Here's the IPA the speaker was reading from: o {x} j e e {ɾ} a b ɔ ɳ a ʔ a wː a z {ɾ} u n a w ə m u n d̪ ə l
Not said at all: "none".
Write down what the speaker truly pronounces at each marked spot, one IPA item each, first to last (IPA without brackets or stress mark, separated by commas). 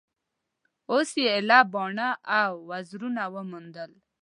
s, l, ɾ